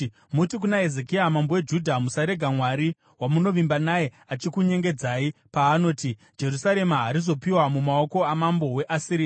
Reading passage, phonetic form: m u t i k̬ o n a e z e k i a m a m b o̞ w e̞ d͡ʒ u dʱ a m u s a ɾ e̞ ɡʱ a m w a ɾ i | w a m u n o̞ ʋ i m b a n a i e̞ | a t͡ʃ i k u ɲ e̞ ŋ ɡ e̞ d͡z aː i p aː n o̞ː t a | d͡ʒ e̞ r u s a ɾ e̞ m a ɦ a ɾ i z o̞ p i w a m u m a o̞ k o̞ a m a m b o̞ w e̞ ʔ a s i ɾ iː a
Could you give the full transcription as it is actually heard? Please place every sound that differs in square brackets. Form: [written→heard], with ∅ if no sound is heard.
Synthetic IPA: m u t i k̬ [o→u] n a e z e k i a m a m b o̞ w e̞ d͡ʒ u dʱ a m u s a ɾ e̞ ɡʱ a m w a ɾ i | w a m u n o̞ ʋ i m b a n a [i→j] e̞ | a t͡ʃ i k u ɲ e̞ ŋ ɡ e̞ d͡z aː i p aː n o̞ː t [a→i] | d͡ʒ e̞ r u s a ɾ e̞ m a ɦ a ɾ i z o̞ p i w a m u m a o̞ k o̞ a m a m b o̞ w e̞ ʔ a s i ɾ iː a

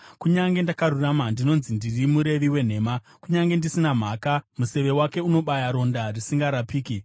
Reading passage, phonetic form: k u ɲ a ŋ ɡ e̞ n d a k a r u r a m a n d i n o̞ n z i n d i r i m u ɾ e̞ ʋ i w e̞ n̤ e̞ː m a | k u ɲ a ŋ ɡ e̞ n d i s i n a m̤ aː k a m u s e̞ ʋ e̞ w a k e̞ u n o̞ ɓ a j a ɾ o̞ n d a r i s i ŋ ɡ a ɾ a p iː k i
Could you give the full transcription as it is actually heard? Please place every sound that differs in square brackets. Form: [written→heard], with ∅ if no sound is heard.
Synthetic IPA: k u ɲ a ŋ ɡ e̞ n d a k a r u r a m a n d i n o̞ n z i n d i r i m u ɾ e̞ ʋ i w e̞ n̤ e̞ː m a | k u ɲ a ŋ ɡ e̞ n d i s i n a m̤ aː k a m u s e̞ ʋ e̞ w a k e̞ u n o̞ ɓ a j a ɾ o̞ n d a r i s i ŋ ɡ a ɾ a p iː k i

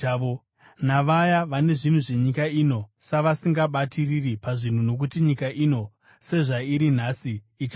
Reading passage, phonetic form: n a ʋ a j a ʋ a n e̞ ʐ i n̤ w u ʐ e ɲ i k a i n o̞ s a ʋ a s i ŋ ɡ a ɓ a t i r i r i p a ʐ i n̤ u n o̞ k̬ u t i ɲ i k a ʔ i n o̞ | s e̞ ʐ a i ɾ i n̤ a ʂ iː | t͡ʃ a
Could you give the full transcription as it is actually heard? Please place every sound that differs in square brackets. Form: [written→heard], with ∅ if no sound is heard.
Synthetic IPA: n a ʋ a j a ʋ a n e̞ ʐ i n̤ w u ʐ e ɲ i k a i n o̞ s a ʋ a s i ŋ ɡ a ɓ a t i r i r i p a ʐ i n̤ u n o̞ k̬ u t i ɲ i k a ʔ i n o̞ | s e̞ ʐ a i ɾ i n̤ a [ʂ→s] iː | t͡ʃ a

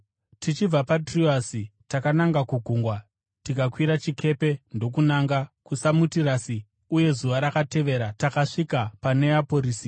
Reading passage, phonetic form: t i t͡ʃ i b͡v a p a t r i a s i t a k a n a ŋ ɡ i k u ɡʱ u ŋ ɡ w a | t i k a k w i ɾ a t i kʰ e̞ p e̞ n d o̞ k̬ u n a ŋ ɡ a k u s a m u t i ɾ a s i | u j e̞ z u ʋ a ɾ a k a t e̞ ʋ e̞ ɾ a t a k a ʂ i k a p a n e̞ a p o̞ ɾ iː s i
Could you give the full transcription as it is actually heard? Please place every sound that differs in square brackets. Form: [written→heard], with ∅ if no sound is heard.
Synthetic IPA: t i t͡ʃ i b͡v a p a t r i a s i t a k a n a ŋ ɡ [i→a] k u ɡʱ u ŋ ɡ w a | t i k a k w i ɾ a [t→t͡ʃ] i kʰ e̞ p e̞ n d o̞ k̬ u n a ŋ ɡ a k u s a m u t i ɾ a s i | u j e̞ z u ʋ a ɾ a k a t e̞ ʋ e̞ ɾ a t a k a ʂ i k a p a n e̞ a p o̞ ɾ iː s i

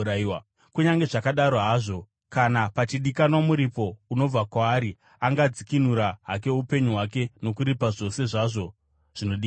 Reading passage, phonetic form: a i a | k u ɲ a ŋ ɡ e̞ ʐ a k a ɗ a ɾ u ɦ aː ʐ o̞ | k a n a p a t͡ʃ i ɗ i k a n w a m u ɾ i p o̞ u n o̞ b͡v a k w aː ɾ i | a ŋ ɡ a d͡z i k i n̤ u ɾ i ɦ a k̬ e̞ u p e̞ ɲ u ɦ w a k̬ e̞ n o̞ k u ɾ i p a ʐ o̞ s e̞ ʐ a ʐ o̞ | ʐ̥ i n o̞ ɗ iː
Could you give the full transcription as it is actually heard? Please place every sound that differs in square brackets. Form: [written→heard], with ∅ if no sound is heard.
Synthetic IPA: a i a | k u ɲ a ŋ ɡ e̞ ʐ a k a ɗ a ɾ [u→o] ɦ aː ʐ o̞ | k a n a p a t͡ʃ i ɗ i k a n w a m u ɾ i p o̞ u n o̞ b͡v a k w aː ɾ i | a ŋ ɡ a d͡z i k i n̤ u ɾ [i→a] ɦ a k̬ e̞ u p e̞ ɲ u ɦ w a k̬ e̞ n o̞ k u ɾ i p a ʐ o̞ s e̞ ʐ a ʐ o̞ | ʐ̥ i n o̞ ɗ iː

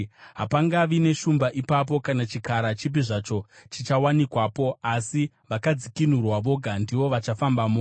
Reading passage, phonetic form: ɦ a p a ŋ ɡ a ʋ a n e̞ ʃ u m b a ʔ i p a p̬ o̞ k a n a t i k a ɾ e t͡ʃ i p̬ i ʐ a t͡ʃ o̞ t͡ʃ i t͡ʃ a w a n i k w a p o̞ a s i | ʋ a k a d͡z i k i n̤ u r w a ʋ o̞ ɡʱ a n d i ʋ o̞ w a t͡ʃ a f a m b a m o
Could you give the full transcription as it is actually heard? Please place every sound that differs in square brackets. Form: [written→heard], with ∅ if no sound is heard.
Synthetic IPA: ɦ a p a ŋ ɡ a ʋ [a→i] n e̞ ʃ u m b a ʔ i p a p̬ o̞ k a n a [t→t͡ʃ] i k a ɾ [e→a] t͡ʃ i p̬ i ʐ a t͡ʃ o̞ t͡ʃ i t͡ʃ a w a n i k w a p o̞ a s i | ʋ a k a d͡z i k i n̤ u r w a ʋ o̞ ɡʱ a n d i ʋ o̞ [w→ʋ] a t͡ʃ a f a m b a m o

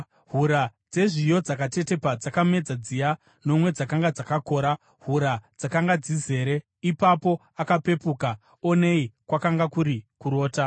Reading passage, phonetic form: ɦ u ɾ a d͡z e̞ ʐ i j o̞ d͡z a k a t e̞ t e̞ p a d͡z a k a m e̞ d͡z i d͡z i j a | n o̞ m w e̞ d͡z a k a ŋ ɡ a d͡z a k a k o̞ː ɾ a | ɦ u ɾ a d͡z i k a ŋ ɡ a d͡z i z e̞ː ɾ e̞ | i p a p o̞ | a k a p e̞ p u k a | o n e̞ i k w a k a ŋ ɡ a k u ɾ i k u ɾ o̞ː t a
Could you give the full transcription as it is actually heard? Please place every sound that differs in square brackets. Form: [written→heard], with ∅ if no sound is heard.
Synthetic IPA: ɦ u ɾ a d͡z e̞ ʐ i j o̞ d͡z a k a t e̞ t e̞ p a d͡z a k a m e̞ d͡z [i→a] d͡z i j a | n o̞ m w e̞ d͡z a k a ŋ ɡ a d͡z a k a k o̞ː ɾ a | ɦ u ɾ a d͡z [i→a] k a ŋ ɡ a d͡z i z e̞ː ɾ e̞ | i p a p o̞ | a k a p e̞ p u k a | o n e̞ i k w a k a ŋ ɡ a k u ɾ i k u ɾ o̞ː t a

